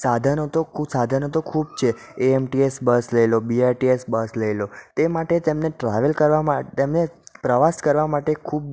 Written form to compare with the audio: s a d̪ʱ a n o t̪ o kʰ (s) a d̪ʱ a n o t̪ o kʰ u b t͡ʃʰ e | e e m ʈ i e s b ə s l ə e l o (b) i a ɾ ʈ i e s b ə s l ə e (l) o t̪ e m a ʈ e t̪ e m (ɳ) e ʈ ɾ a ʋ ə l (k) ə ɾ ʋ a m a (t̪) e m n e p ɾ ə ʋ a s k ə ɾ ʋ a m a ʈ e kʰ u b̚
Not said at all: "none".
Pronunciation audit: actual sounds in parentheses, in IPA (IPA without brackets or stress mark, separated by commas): s, b, l, n, k, t̪